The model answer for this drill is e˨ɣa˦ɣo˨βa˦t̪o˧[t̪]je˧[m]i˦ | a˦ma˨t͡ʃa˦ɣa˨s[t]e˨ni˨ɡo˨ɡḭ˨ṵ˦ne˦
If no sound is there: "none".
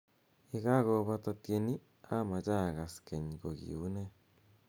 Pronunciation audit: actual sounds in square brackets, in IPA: t̪, n, k

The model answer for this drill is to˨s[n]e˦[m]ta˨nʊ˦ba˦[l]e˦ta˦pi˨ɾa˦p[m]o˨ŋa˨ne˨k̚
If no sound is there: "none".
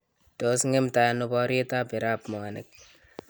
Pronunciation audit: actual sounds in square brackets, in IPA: ŋ, m, ɾ, m

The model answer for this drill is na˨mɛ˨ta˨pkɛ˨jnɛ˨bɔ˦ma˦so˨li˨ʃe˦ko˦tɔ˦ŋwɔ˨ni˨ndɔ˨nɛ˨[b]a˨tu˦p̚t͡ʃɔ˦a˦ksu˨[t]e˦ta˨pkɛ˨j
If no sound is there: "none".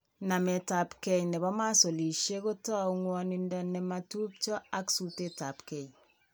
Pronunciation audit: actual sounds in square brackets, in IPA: m, t

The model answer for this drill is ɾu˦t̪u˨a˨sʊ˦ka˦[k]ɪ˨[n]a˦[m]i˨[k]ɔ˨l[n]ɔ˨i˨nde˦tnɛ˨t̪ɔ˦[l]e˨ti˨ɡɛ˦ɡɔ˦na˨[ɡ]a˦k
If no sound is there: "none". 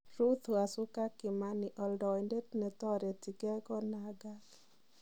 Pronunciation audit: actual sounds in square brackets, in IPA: k, m, n, ʔ, d, ɾ, ɡ

